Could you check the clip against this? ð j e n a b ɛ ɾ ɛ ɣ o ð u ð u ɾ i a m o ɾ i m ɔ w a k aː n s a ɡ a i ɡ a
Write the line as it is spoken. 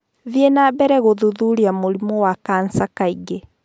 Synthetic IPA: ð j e n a b ɛ ɾ ɛ ɣ o ð u ð u ɾ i a m o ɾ i m ɔ w a k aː n s a k a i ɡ e